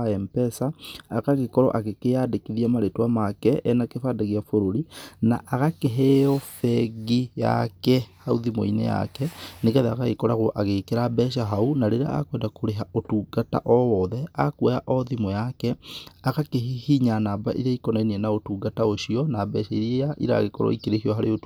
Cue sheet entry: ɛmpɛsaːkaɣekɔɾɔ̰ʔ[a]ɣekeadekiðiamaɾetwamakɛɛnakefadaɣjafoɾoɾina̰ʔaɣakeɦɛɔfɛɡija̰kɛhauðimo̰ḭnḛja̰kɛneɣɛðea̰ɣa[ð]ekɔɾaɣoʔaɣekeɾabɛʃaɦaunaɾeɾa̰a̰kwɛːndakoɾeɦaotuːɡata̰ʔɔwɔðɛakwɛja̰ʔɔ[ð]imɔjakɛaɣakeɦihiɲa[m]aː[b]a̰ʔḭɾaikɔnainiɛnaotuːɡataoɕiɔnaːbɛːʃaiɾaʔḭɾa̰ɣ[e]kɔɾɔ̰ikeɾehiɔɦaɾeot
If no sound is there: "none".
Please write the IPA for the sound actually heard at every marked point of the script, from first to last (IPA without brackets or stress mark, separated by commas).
a, ɣ, ð, n, b, e